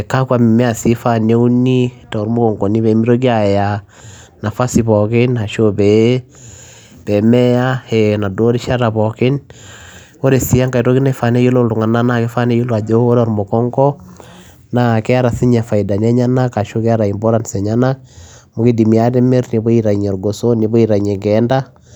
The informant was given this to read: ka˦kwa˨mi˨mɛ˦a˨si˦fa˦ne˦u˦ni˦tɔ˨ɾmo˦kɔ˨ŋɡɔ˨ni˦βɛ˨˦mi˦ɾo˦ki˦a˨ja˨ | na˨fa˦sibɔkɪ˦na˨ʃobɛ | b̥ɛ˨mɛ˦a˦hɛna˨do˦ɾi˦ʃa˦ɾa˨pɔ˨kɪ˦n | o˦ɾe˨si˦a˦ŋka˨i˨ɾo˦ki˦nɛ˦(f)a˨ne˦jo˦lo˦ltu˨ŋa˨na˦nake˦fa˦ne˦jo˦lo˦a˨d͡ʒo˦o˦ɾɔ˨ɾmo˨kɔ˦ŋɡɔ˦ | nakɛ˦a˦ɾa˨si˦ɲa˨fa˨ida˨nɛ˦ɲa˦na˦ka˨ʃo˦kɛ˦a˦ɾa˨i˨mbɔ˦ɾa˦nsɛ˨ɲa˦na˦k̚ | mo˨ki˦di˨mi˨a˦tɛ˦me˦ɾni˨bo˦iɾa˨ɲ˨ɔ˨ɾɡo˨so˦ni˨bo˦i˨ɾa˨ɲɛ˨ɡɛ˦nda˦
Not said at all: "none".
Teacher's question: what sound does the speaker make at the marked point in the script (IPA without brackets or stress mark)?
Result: f